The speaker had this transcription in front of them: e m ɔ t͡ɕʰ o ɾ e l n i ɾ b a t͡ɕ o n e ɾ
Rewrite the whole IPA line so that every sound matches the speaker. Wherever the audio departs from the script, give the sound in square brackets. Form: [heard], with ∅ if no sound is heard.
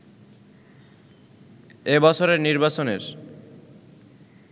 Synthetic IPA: e [b] ɔ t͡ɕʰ o ɾ e [ɾ] n i ɾ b a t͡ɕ o n e ɾ